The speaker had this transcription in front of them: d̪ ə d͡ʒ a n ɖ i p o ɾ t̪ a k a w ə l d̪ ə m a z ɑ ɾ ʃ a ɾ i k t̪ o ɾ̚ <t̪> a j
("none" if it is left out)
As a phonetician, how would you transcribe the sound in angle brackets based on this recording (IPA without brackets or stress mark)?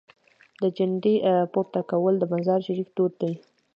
d̪